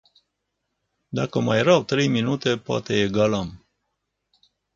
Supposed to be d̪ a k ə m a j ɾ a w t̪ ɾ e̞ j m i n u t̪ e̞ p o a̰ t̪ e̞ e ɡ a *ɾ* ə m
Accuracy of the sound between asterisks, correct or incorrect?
incorrect: l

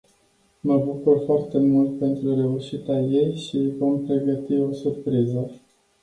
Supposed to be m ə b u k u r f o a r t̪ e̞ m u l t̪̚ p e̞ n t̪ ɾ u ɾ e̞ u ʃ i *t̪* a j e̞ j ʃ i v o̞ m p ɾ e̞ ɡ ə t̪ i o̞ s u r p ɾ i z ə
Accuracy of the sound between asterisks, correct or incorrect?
correct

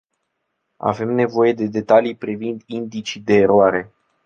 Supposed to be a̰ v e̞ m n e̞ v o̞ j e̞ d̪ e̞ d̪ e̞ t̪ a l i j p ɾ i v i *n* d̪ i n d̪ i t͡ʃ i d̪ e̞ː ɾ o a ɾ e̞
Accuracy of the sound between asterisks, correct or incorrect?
correct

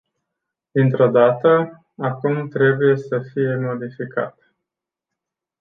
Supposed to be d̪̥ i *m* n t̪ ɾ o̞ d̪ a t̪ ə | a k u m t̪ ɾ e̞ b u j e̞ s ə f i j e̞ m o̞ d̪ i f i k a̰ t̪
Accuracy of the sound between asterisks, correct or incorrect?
incorrect: none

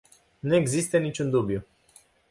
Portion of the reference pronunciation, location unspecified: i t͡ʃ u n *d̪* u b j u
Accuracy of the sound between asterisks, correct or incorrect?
correct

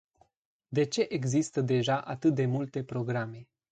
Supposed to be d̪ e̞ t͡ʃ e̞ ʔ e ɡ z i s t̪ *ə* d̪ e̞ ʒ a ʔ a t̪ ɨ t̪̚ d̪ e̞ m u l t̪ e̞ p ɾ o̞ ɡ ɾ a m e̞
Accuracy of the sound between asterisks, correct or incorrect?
correct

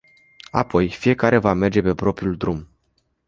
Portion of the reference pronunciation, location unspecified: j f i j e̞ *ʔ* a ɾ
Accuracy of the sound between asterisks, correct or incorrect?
incorrect: k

